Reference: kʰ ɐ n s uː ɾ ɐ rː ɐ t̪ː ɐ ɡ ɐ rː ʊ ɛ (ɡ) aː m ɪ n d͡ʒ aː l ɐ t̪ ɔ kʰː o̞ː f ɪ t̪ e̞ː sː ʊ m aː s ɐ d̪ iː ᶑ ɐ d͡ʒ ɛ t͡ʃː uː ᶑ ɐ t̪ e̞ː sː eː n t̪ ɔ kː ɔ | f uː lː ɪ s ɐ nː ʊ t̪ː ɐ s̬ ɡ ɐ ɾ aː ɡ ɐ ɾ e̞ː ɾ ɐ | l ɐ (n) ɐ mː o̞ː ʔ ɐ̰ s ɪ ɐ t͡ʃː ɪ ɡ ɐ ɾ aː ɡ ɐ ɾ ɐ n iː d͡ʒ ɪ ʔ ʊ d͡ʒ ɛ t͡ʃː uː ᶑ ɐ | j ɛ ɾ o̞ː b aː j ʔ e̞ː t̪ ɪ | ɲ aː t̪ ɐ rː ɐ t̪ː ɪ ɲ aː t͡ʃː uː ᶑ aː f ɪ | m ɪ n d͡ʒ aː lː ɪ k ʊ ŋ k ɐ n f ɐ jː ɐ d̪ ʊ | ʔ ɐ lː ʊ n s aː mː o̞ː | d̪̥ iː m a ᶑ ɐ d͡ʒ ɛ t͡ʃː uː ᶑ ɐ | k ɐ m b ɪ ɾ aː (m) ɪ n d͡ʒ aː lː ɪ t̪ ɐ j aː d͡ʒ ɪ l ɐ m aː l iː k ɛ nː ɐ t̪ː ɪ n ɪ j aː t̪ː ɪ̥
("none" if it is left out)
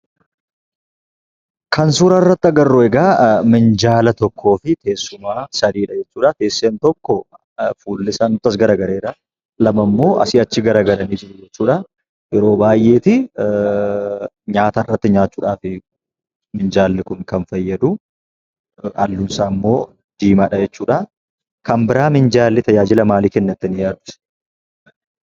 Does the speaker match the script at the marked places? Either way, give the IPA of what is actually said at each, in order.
ɡ, m, m

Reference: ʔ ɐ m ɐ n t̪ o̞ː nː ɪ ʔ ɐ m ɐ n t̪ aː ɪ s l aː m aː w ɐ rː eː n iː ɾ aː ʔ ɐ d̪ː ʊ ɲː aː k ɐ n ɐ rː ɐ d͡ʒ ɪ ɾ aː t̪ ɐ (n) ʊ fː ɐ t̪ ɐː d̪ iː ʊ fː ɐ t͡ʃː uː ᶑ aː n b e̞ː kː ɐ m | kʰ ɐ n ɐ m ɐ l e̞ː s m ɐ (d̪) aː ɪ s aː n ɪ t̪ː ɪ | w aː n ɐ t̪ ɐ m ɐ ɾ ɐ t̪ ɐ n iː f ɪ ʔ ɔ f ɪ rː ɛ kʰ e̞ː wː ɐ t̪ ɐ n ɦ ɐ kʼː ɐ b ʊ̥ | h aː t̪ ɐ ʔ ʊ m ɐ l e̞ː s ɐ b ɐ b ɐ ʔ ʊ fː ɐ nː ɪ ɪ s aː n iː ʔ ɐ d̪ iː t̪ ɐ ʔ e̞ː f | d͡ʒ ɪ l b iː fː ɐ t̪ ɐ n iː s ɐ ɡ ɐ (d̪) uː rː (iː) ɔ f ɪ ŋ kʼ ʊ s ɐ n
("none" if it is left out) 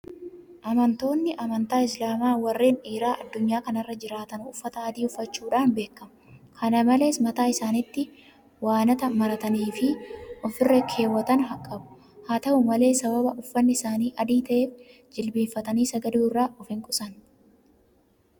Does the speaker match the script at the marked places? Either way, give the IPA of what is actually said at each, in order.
n, t̪, d̪, aː

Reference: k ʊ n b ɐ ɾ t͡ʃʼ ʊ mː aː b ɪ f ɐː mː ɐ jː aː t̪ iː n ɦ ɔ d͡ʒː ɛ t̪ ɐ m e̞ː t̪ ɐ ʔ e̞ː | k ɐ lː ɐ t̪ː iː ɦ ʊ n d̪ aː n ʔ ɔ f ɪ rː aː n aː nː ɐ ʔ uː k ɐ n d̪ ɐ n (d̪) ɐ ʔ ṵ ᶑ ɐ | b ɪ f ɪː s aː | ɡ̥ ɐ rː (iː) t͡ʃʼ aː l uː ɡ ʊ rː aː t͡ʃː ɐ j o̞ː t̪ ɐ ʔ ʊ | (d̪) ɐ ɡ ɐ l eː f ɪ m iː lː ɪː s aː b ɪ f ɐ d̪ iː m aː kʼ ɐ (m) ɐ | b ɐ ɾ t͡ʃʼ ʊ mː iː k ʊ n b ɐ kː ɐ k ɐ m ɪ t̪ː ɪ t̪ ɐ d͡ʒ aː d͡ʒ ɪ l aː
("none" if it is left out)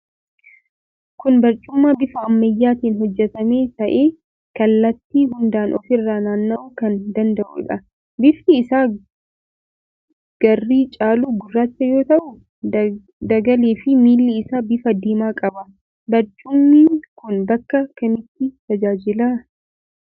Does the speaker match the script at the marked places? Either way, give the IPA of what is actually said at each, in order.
d̪, iː, d̪, b

